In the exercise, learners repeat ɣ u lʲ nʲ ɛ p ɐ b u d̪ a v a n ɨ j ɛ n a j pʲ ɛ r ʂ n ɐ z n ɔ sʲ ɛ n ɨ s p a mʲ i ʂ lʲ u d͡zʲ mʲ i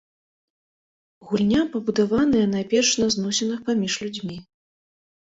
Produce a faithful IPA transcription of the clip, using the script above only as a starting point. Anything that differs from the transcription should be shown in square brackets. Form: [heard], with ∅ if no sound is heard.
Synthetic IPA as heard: ɣ u lʲ nʲ [a] p ɐ b u d̪ a v a n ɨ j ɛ n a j pʲ ɛ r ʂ n ɐ z n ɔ sʲ ɛ n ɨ [x] p a mʲ i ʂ lʲ u d͡zʲ mʲ i

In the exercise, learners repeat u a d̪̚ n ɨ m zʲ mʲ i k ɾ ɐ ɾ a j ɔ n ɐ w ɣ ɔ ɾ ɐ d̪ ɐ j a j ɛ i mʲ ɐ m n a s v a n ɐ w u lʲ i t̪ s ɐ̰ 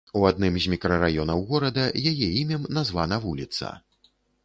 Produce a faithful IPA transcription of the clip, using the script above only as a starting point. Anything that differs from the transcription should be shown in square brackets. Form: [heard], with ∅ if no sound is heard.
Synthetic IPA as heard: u a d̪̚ n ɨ m zʲ mʲ i k ɾ ɐ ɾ a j ɔ n ɐ w ɣ ɔ ɾ ɐ d̪ ɐ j a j ɛ i mʲ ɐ m n a [z] v a n ɐ [v] u lʲ i t̪ s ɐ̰

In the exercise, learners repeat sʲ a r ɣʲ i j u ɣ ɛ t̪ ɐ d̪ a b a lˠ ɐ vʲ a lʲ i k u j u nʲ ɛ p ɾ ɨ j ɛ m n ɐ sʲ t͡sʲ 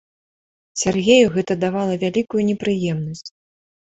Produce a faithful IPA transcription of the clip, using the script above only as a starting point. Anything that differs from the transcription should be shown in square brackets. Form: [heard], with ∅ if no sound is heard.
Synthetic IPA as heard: sʲ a r ɣʲ [e] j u ɣ ɛ t̪ ɐ d̪ a [v] a lˠ ɐ vʲ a lʲ i k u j u nʲ ɛ p ɾ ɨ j ɛ m n ɐ sʲ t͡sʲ

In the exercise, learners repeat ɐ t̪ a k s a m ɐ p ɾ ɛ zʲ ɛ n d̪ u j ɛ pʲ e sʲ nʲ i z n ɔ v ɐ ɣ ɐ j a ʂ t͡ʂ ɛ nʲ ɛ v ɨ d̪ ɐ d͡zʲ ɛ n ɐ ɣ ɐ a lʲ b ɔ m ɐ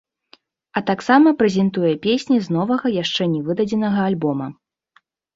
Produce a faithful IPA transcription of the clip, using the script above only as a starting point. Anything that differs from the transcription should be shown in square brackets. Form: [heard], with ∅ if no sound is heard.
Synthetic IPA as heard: ɐ t̪ a k s a m ɐ p ɾ ɛ zʲ ɛ n [t̪] u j ɛ pʲ e sʲ nʲ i z n ɔ v ɐ ɣ ɐ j a ʂ t͡ʂ ɛ nʲ ɛ v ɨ d̪ ɐ d͡zʲ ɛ n ɐ ɣ ɐ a lʲ b ɔ m ɐ

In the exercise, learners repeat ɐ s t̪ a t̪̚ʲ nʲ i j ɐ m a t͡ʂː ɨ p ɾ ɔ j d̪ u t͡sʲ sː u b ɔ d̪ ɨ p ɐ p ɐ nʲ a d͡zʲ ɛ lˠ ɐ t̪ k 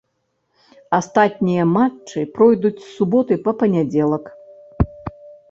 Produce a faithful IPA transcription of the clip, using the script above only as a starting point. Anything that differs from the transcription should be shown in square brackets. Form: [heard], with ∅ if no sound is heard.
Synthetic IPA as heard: [a] s t̪ a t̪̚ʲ nʲ i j ɐ m a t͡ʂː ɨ p ɾ ɔ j d̪ u t͡sʲ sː u b ɔ [t̪] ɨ p ɐ p ɐ nʲ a d͡zʲ ɛ lˠ ɐ [∅] k

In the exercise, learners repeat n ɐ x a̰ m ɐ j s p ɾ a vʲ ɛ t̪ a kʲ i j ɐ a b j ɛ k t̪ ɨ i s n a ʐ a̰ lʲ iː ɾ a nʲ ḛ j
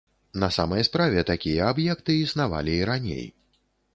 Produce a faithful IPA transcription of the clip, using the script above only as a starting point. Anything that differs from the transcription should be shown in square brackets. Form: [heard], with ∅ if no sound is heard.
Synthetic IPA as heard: n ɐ [s] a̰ m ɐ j s p ɾ a vʲ ɛ t̪ a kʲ i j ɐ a b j ɛ k t̪ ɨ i s n a [v] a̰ lʲ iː ɾ a nʲ ḛ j

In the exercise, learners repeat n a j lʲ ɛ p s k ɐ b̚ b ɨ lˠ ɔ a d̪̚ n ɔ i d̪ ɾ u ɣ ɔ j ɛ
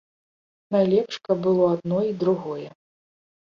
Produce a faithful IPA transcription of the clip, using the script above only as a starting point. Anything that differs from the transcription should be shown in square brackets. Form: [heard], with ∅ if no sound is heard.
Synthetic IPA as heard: n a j lʲ ɛ p [ʂ] k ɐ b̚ b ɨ lˠ ɔ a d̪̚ n ɔ i d̪ ɾ u ɣ ɔ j ɛ

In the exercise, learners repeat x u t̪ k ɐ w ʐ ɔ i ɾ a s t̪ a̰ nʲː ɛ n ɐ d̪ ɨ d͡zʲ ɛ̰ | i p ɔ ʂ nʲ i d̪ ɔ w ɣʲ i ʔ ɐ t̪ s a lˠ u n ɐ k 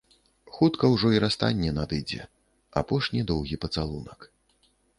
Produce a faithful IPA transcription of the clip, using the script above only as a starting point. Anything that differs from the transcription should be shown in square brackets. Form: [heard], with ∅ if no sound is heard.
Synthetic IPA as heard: x u t̪ k ɐ w ʐ ɔ i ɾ a s t̪ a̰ nʲː ɛ n [a] d̪ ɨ d͡zʲ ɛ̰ | [a] p ɔ ʂ nʲ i d̪ ɔ w ɣʲ i [p] ɐ t̪ s a lˠ u n ɐ k

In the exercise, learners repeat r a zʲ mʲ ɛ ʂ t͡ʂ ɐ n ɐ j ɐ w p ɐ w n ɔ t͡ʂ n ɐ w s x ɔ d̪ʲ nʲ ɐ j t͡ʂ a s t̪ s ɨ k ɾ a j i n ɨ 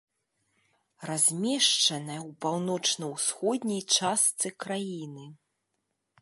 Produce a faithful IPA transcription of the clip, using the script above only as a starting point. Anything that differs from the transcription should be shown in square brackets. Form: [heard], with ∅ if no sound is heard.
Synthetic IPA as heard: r a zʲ mʲ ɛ ʂ t͡ʂ ɐ n ɐ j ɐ w p [a] w n ɔ t͡ʂ n ɐ w s x ɔ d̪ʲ nʲ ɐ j t͡ʂ a s t̪ s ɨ k ɾ a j i n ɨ

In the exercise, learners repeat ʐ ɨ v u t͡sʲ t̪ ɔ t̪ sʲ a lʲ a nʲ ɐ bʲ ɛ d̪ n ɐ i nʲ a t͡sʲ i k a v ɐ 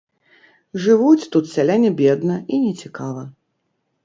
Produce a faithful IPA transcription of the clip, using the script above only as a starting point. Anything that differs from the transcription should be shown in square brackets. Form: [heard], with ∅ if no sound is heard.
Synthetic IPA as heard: ʐ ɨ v u t͡sʲ t̪ [u] t̪ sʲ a lʲ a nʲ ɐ bʲ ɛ d̪ n ɐ i nʲ [ɛ] t͡sʲ i k a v ɐ

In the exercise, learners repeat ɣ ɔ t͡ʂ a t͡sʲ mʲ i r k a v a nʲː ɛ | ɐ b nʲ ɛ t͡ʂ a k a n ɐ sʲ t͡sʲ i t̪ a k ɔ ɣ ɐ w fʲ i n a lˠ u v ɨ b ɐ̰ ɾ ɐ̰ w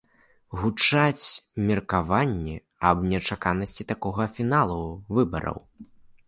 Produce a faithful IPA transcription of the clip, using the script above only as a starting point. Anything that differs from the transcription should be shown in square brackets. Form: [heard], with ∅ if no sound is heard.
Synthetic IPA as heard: ɣ [u] t͡ʂ a t͡sʲ mʲ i r k a v a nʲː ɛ | ɐ b nʲ ɛ t͡ʂ a k a n ɐ sʲ t͡sʲ i t̪ a k ɔ ɣ ɐ [∅] fʲ i n a lˠ u v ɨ b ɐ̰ ɾ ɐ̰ w

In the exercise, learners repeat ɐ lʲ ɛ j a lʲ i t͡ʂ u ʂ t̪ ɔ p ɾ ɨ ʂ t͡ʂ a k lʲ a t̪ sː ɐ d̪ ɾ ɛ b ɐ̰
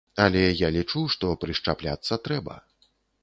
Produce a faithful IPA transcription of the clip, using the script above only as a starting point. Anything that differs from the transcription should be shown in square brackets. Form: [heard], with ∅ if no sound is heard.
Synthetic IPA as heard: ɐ lʲ ɛ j a lʲ i t͡ʂ u ʂ t̪ ɔ p ɾ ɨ ʂ t͡ʂ a [p] lʲ a t̪ sː ɐ [t̪] ɾ ɛ b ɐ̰

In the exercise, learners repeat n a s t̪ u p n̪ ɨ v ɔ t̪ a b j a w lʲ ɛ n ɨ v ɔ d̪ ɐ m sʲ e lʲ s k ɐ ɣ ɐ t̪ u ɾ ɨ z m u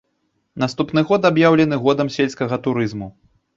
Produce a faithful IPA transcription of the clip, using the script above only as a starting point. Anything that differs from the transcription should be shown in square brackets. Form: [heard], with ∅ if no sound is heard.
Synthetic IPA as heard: n a s t̪ u p n̪ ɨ [ɣ] ɔ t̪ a b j a w lʲ ɛ n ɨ [ɣ] ɔ d̪ ɐ m sʲ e lʲ s k ɐ ɣ ɐ t̪ u ɾ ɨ z m u

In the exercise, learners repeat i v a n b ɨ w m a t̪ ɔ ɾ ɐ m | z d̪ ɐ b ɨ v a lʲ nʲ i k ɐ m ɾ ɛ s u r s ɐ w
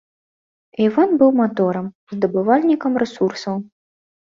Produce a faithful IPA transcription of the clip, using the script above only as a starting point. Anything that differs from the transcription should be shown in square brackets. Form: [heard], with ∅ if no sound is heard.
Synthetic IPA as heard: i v a n b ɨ w m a t̪ ɔ ɾ ɐ m | z d̪ ɐ b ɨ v a lʲ nʲ i k ɐ m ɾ ɛ s u r s ɐ w

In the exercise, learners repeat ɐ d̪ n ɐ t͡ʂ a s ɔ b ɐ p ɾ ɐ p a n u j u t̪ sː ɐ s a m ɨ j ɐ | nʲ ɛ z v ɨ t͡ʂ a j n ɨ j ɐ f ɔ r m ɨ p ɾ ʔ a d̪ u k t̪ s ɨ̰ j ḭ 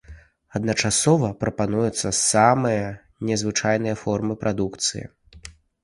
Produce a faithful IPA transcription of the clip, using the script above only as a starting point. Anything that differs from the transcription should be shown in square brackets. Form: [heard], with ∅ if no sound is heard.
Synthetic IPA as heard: ɐ d̪ n ɐ t͡ʂ a s ɔ [v] ɐ p ɾ ɐ p a n u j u t̪ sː ɐ s a m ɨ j ɐ | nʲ ɛ z v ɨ t͡ʂ a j n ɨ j ɐ f ɔ r m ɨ p ɾ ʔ a d̪ u k t̪ s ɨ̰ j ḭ

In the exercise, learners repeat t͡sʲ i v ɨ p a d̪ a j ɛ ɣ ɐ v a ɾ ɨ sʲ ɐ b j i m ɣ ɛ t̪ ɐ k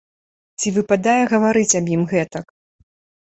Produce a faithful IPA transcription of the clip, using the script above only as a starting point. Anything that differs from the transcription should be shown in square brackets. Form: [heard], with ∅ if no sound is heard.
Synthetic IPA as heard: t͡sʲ i v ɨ p a d̪ a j ɛ ɣ ɐ v a ɾ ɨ [t͡sʲ] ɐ b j i m ɣ ɛ t̪ ɐ k

